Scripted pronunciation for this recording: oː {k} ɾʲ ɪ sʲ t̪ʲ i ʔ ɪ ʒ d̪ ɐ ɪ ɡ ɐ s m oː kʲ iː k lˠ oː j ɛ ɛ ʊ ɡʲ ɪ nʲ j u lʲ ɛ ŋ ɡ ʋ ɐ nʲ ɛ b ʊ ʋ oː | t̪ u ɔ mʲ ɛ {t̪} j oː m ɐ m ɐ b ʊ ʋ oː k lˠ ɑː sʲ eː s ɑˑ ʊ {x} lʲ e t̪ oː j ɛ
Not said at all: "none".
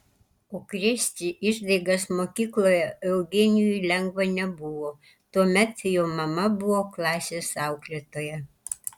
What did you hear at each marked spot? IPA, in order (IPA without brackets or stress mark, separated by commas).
k, t̪, k